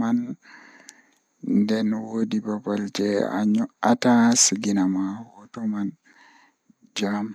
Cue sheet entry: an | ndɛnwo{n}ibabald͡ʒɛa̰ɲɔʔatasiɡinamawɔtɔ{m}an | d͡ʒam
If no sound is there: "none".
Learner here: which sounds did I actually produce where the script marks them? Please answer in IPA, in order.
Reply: d, m

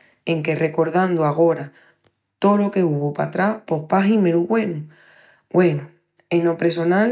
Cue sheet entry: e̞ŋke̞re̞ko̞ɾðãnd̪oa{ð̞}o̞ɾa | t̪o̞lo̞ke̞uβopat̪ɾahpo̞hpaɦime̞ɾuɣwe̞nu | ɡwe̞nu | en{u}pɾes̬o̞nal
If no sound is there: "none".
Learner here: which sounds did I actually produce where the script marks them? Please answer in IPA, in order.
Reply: ɣ̞, o

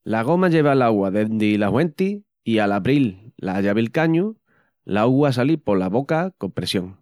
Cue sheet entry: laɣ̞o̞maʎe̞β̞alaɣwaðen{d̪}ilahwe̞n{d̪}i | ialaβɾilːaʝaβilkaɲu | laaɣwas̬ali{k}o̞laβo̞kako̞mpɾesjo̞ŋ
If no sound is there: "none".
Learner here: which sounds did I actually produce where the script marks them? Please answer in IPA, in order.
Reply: d̪, t̪, p

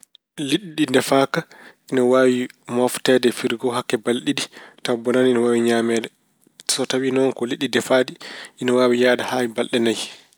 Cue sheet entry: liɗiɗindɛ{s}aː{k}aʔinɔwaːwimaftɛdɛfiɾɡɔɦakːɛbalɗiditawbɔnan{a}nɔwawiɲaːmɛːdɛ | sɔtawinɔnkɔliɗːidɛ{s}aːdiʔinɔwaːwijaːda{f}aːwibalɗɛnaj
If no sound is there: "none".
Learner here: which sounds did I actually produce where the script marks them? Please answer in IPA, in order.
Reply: f, k, i, f, h

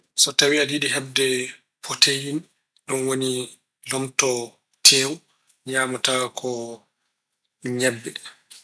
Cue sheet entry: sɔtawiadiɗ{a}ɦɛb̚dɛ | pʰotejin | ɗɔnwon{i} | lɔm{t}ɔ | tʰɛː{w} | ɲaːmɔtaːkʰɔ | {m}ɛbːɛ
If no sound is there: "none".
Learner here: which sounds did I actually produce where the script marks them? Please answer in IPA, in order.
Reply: i, i, t, w, ɲ

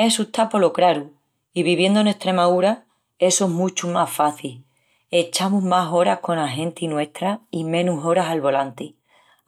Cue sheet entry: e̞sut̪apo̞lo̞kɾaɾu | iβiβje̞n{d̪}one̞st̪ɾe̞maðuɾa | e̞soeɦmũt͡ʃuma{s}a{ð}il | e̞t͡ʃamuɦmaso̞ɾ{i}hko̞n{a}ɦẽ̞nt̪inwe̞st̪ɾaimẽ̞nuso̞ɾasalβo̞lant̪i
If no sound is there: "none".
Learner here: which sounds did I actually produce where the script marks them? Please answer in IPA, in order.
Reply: d̪, f, θ, a, a

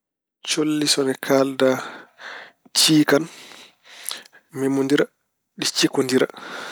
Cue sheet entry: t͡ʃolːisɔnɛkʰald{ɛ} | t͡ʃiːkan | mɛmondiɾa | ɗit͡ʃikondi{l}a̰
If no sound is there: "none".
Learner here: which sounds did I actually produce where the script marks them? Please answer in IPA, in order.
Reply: a, ɾ

